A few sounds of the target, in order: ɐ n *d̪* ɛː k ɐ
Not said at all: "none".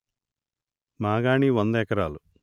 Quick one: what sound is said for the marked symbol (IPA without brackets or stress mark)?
d̪